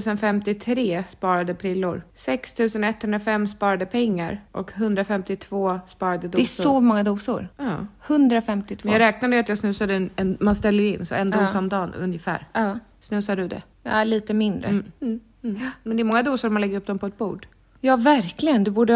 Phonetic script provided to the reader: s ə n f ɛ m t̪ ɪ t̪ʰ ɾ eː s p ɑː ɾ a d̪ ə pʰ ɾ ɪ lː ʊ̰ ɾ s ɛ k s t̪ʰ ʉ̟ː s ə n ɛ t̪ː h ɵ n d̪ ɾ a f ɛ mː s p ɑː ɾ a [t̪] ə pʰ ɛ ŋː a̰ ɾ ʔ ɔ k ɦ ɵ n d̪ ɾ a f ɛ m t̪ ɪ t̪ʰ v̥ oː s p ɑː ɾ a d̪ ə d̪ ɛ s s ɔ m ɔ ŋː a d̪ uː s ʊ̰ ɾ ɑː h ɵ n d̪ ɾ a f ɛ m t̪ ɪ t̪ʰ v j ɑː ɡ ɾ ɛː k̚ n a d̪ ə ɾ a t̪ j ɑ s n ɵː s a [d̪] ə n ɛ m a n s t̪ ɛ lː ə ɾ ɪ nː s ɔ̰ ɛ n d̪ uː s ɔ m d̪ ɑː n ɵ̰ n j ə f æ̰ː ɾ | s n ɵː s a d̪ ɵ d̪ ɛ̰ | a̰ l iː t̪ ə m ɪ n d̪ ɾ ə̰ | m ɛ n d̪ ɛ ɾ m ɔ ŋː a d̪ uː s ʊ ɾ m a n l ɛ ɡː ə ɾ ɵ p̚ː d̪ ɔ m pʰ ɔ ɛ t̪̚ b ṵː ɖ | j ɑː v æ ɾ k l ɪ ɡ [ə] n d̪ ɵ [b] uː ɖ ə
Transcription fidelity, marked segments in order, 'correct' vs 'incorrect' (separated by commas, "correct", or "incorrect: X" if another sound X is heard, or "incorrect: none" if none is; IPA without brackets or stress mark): incorrect: d̪, correct, correct, correct